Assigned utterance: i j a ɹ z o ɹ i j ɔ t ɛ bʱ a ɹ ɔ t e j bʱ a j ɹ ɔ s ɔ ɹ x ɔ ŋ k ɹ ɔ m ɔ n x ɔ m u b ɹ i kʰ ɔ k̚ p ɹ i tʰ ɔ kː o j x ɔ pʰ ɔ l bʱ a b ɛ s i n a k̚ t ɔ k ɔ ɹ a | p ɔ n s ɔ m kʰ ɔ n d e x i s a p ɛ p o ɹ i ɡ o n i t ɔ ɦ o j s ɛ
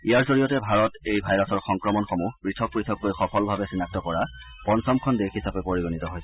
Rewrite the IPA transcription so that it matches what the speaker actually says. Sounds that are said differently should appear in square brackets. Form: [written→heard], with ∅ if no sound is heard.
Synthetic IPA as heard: i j a ɹ z o ɹ i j ɔ t ɛ bʱ a ɹ ɔ t e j bʱ a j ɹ ɔ s ɔ ɹ x ɔ ŋ k ɹ ɔ m ɔ n x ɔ m u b ɹ i [kʰ→tʰ] ɔ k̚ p ɹ i tʰ ɔ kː o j x ɔ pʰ ɔ l bʱ a b ɛ s i n a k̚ t ɔ k ɔ ɹ a | p ɔ n s ɔ m kʰ ɔ n d e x i s a p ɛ p o ɹ i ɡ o n i t ɔ ɦ o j s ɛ

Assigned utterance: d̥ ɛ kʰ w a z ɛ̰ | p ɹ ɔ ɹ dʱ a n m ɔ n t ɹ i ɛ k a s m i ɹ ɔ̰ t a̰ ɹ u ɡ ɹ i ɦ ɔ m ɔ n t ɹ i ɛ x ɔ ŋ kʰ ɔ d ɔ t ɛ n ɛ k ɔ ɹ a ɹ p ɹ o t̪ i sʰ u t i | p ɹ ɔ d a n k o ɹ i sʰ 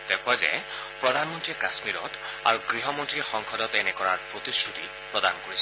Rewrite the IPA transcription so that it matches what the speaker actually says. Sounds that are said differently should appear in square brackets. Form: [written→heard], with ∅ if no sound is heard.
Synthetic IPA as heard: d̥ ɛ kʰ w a z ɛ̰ | p ɹ ɔ [ɹ→∅] dʱ a n m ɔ n t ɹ i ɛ k a s m i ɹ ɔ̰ t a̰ ɹ u ɡ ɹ i ɦ ɔ m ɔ n t ɹ i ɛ x ɔ ŋ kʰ ɔ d ɔ t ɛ n ɛ k ɔ ɹ a ɹ p ɹ o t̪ i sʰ u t i | p ɹ ɔ d a n k o ɹ i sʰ

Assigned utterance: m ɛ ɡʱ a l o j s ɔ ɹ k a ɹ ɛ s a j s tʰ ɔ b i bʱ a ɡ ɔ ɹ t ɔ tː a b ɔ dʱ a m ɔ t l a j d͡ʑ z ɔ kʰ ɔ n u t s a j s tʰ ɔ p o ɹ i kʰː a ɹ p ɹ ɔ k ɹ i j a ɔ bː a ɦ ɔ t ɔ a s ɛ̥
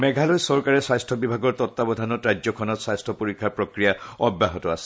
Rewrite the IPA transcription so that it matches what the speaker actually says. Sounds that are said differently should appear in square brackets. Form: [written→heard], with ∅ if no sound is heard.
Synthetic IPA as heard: m ɛ ɡʱ a l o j s ɔ ɹ k a ɹ ɛ s a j s tʰ ɔ b i bʱ a ɡ ɔ ɹ t ɔ tː a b ɔ dʱ a [m→n] ɔ t [l→ɹ] a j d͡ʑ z ɔ kʰ ɔ n [u→ɔ] t s a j s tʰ ɔ p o ɹ i kʰː a ɹ p ɹ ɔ k ɹ i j a ɔ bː a ɦ ɔ t ɔ a s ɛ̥

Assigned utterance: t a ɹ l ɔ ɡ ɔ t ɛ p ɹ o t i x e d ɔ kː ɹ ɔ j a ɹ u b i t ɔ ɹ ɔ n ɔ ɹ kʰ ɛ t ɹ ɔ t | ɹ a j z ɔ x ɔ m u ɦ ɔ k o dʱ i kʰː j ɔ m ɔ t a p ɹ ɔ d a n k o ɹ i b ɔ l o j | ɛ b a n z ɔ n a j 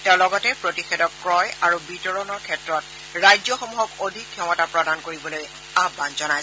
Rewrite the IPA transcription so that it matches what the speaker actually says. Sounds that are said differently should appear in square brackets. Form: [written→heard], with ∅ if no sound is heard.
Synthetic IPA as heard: t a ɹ l ɔ ɡ ɔ t ɛ p ɹ o t i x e d ɔ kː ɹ ɔ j a ɹ u b i t ɔ ɹ ɔ n ɔ ɹ kʰ ɛ t ɹ ɔ t | ɹ a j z ɔ x ɔ m u ɦ ɔ k o dʱ i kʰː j ɔ m ɔ t a p ɹ ɔ d a n k o ɹ i b ɔ l o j | [ɛ→a] b a n z ɔ n a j

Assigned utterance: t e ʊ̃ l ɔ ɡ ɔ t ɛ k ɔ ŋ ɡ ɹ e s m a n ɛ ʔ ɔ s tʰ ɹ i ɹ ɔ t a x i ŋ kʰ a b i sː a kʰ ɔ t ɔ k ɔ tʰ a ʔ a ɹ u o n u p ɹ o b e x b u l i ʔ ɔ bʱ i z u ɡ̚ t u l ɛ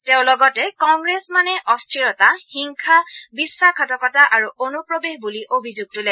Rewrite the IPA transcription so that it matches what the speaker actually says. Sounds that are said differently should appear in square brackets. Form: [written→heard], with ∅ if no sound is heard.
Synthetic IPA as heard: t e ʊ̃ l ɔ ɡ ɔ t ɛ k ɔ ŋ ɡ ɹ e s m a n ɛ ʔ ɔ s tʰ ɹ i ɹ ɔ t a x i ŋ kʰ a b i sː a kʰ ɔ t ɔ k ɔ [tʰ→t] a ʔ a ɹ u o n u p ɹ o b e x b u l i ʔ [ɔ→o] bʱ i z u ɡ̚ t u l ɛ

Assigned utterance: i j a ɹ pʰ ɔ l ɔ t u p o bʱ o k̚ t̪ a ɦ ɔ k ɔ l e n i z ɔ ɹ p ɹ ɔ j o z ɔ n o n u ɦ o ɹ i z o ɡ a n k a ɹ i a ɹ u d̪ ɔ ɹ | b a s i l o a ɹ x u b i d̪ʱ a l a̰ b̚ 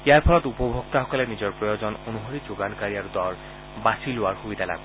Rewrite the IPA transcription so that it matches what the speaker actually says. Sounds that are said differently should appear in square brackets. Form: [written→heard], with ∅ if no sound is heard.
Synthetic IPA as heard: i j a ɹ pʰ ɔ l ɔ t u p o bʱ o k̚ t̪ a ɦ ɔ k ɔ l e n i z ɔ ɹ p ɹ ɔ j o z ɔ n o n u ɦ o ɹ i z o ɡ a n k a ɹ i a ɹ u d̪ ɔ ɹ | b a s i l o a ɹ x u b i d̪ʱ a l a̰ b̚

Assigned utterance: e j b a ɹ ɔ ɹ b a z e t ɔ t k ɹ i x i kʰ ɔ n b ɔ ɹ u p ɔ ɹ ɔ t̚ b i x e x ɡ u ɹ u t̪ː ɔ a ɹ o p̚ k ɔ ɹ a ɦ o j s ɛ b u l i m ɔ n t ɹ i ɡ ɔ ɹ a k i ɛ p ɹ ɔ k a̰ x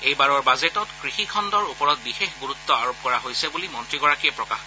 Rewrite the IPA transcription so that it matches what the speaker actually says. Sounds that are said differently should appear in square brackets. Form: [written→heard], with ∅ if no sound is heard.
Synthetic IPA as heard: e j b a ɹ ɔ ɹ b a z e t ɔ t k ɹ i x i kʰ ɔ n [b→d] ɔ ɹ u p ɔ ɹ ɔ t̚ b i x e x ɡ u ɹ u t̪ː ɔ a ɹ o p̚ k ɔ ɹ a ɦ o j s ɛ b u l i m ɔ n t ɹ i ɡ ɔ ɹ a k i ɛ p ɹ ɔ k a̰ x

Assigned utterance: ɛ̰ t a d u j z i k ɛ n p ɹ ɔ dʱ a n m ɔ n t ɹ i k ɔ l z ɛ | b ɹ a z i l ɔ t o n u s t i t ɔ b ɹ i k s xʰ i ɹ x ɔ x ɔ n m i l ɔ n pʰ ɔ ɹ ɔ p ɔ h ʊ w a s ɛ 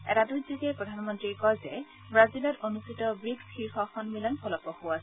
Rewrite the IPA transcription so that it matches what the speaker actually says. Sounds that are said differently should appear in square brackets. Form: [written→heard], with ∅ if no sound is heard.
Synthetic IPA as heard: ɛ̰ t a d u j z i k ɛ [n→∅] p ɹ ɔ dʱ a n m ɔ n t ɹ i k ɔ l z ɛ | b ɹ a z i l ɔ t o n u s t i t ɔ b ɹ i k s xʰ i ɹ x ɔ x ɔ n m i l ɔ n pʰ ɔ [ɹ→l] ɔ p ɔ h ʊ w a s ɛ

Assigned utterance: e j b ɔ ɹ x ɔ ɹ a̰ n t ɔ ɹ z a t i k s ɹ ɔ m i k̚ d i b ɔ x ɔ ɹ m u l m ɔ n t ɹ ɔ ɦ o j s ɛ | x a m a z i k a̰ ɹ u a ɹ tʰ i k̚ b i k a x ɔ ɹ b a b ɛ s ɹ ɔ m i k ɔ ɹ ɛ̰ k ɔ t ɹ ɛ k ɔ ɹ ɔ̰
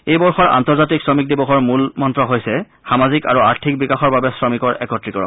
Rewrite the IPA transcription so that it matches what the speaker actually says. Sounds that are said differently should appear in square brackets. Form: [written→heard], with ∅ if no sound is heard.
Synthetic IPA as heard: e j b ɔ ɹ x ɔ ɹ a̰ n t ɔ ɹ z a t i k s ɹ ɔ m i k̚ d i b ɔ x ɔ ɹ m u l m ɔ n t ɹ ɔ ɦ o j s ɛ | x a m a z i k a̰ ɹ u a ɹ tʰ i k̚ b i k a x ɔ ɹ b a b ɛ s ɹ ɔ m i k ɔ ɹ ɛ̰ k ɔ t ɹ [ɛ→i] k ɔ ɹ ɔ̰

